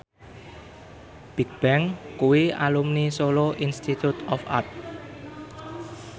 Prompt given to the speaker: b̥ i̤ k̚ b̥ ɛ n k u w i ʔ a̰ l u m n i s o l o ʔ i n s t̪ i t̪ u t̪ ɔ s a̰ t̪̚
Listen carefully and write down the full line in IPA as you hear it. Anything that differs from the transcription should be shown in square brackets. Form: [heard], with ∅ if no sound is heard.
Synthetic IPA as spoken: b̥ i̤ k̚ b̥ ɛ [ŋ] k u w i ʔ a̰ l u m n i s o l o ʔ i n s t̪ i t̪ u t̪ ɔ [f] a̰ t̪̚